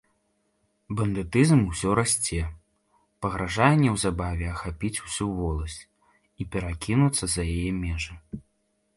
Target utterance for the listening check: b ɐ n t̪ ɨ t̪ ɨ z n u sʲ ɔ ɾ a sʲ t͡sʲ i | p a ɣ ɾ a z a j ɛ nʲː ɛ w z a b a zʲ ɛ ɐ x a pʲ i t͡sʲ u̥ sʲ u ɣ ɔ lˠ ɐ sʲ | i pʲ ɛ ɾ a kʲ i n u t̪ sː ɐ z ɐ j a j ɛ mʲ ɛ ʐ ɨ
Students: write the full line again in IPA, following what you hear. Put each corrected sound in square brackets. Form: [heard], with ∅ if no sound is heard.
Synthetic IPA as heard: b ɐ n [d̪] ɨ t̪ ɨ z [m] u sʲ ɔ ɾ a sʲ t͡sʲ [ɛ] | p [ɐ] ɣ ɾ a [ʐ] a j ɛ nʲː ɛ w z a b a [vʲ] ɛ ɐ x a pʲ i t͡sʲ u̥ sʲ u [v] ɔ lˠ ɐ sʲ | i pʲ ɛ ɾ a kʲ i n u t̪ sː ɐ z ɐ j a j ɛ mʲ ɛ ʐ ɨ